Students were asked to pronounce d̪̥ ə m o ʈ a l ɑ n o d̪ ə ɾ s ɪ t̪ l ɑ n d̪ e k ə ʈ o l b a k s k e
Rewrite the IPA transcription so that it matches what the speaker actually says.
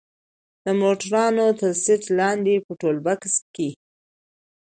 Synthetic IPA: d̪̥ ə m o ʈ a ɾ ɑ n o t̪ ə ɾ s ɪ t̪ l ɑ n d̪ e p ə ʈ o l b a k s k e